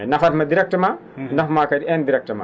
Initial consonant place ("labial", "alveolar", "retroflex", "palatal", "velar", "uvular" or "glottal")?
alveolar